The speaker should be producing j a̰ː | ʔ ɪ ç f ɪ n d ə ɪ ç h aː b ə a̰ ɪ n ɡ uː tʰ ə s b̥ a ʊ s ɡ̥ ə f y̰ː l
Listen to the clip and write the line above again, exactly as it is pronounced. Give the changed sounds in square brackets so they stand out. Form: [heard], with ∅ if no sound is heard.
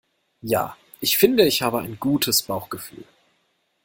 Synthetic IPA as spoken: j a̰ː | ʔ ɪ ç f ɪ n d ə ɪ ç h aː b ə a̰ ɪ n ɡ uː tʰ ə s b̥ a ʊ [x] ɡ̥ ə f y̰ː l